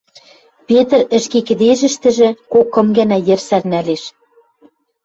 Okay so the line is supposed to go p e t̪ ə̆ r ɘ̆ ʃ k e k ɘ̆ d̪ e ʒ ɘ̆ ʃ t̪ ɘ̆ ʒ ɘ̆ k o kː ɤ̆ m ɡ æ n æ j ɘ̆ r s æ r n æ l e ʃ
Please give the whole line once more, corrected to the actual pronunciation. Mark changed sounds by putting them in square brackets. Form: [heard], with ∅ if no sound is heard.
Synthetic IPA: p e t̪ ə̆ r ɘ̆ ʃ k e k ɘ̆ d̪ e ʒ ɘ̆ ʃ t̪ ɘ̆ ʒ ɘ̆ k o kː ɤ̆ m ɡ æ n æ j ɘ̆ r s æ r n æ l e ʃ

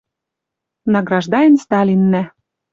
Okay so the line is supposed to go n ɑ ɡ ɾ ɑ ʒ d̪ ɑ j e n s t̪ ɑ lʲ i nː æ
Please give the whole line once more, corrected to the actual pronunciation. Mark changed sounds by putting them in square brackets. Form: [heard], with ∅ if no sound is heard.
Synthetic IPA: n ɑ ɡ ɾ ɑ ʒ d̪ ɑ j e n s t̪ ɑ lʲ i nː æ

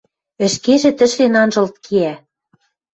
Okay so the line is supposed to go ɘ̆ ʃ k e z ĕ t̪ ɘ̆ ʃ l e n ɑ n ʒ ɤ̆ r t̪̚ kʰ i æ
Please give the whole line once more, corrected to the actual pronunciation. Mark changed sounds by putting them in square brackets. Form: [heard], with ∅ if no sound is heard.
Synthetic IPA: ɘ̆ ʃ k e [ʒ] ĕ t̪ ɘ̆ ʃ l e n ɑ n ʒ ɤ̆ [l] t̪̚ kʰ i æ

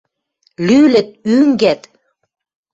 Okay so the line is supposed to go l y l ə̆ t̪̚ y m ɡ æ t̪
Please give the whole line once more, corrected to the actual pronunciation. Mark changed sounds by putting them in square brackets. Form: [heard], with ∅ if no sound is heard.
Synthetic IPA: l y l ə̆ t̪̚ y [ŋ] ɡ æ t̪

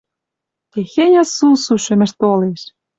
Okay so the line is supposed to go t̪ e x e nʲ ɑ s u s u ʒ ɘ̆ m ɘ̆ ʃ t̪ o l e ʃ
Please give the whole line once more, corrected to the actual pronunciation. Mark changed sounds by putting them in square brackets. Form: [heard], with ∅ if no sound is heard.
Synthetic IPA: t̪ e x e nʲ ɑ s u s u [ʃ] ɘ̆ m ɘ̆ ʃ t̪ o l e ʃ

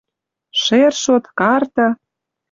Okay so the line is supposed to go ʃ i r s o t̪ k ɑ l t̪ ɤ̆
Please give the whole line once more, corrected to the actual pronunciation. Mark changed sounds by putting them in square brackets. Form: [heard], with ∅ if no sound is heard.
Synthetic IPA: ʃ [e] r [ʃ] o t̪ k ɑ [r] t̪ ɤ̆

